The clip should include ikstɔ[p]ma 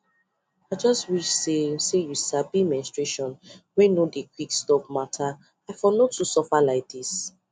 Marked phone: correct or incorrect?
correct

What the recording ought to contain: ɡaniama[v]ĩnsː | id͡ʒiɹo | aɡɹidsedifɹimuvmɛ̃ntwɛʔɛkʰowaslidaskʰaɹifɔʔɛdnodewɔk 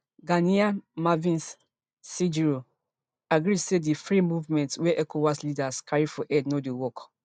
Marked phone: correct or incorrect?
correct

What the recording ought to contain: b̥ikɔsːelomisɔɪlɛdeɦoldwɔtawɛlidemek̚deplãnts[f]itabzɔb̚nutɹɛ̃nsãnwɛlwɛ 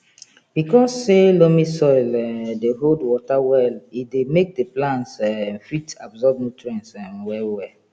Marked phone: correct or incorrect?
correct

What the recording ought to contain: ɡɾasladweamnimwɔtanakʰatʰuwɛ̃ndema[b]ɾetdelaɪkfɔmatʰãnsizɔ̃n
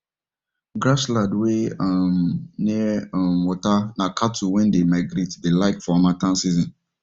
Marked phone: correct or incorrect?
incorrect: ɡ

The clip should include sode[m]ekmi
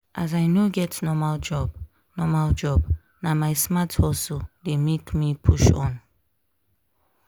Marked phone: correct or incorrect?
correct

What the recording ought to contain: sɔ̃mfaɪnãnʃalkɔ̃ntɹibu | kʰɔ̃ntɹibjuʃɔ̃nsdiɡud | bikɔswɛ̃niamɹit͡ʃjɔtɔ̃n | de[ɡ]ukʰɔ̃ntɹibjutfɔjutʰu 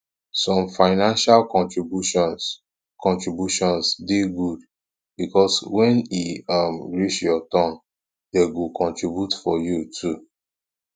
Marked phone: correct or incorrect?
correct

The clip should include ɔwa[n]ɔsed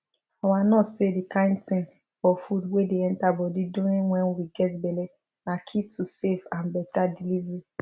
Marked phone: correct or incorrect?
correct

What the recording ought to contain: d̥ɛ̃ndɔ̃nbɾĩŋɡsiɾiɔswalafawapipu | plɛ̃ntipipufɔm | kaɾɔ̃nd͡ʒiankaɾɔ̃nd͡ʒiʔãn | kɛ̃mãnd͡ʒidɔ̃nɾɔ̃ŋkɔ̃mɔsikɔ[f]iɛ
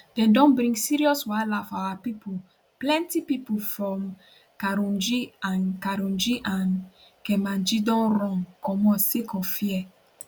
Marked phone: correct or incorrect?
correct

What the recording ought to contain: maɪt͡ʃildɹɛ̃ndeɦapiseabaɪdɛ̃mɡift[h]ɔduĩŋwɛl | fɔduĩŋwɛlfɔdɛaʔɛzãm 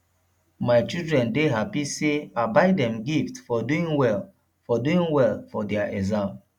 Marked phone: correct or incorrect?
incorrect: f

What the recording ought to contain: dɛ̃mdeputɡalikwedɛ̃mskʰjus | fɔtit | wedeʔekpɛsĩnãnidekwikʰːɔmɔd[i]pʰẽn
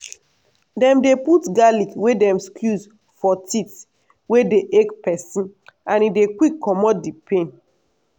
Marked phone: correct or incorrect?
correct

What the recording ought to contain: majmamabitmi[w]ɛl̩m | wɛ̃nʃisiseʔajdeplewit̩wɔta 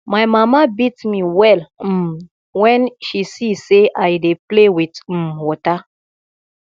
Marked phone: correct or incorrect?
correct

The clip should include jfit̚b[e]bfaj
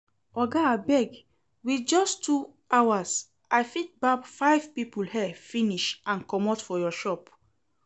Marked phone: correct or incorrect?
incorrect: a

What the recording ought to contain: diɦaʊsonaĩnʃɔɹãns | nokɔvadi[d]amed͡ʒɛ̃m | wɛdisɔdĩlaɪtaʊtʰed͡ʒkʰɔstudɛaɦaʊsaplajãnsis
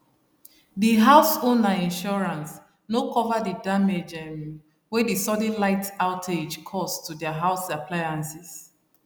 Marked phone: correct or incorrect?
correct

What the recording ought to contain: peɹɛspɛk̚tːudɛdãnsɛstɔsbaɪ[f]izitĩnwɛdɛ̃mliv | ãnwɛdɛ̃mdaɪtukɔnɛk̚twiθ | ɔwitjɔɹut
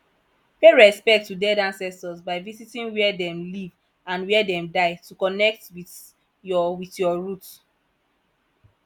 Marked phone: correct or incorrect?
incorrect: v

